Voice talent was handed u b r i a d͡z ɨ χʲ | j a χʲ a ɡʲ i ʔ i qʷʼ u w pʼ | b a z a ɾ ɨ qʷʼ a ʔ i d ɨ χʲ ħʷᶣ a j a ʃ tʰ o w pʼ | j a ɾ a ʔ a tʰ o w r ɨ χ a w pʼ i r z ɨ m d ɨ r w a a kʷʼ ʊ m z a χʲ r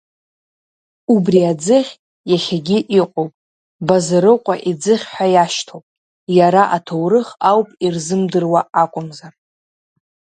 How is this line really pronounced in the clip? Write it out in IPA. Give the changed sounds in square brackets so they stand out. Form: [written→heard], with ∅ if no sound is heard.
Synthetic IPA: u b r i a d͡z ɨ χʲ | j a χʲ a ɡʲ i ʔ i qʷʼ [u→o] w pʼ | b a z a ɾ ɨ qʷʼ a ʔ i [d→d͡z] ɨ χʲ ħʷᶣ a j a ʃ tʰ o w pʼ | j a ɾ a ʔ a tʰ o w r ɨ χ a w pʼ i r z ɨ m d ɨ r w a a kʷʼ ʊ m z a [χʲ→∅] r